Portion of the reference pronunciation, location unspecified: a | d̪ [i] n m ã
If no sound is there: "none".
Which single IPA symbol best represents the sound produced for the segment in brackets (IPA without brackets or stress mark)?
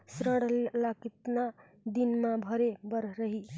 i